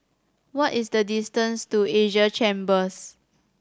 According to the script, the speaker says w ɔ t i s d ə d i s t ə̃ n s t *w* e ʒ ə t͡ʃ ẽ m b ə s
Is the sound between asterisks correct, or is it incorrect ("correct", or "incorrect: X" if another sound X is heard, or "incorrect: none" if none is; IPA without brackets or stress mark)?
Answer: incorrect: u